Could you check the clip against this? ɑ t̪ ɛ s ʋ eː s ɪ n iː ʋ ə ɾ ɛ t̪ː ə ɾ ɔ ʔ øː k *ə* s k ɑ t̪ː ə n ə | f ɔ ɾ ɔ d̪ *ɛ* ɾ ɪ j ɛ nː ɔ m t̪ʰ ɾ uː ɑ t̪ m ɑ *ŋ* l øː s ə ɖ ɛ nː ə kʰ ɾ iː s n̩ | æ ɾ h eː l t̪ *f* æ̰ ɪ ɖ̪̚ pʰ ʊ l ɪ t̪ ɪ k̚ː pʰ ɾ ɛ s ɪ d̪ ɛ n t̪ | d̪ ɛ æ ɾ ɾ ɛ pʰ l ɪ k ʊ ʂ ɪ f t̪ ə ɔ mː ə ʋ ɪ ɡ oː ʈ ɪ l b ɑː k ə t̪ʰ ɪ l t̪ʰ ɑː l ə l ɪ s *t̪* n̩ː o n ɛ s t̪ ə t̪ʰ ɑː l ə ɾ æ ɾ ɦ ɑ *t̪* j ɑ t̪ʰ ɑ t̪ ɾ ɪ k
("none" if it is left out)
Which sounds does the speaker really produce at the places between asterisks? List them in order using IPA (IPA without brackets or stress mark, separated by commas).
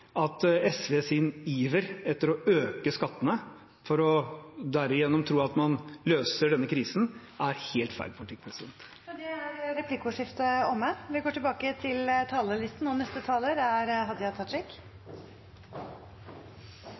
ə, æ, n, f, t̪, d̪